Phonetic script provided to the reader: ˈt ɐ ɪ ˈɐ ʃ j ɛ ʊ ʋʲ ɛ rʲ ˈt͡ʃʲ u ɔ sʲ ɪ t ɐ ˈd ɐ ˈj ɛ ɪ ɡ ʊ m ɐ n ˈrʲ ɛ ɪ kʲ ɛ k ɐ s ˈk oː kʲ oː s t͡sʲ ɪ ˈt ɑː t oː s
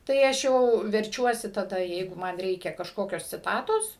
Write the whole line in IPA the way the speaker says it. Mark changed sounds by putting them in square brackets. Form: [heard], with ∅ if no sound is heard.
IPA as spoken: ˈt ɐ ɪ ˈɐ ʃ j ɛ ʊ ʋʲ ɛ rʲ ˈt͡ʃʲ u ɔ sʲ ɪ t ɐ ˈd ɐ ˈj ɛ ɪ ɡ ʊ m ɐ n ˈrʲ ɛ ɪ kʲ ɛ k ɐ [ʃ] ˈk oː kʲ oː s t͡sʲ ɪ ˈt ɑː t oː s